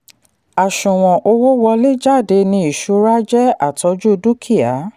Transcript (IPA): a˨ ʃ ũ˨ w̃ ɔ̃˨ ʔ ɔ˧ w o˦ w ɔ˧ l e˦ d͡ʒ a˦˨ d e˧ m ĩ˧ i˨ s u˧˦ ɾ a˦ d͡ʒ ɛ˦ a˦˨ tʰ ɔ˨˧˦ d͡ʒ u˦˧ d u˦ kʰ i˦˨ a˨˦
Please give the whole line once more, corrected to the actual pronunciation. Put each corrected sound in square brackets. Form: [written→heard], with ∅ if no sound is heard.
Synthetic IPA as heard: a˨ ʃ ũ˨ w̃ ɔ̃˨ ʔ [ɔ˧→o˧] w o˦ w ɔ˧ l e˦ d͡ʒ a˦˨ d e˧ [m→n] ĩ˧ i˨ [s→ʃ] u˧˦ ɾ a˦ d͡ʒ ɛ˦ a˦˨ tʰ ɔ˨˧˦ d͡ʒ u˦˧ d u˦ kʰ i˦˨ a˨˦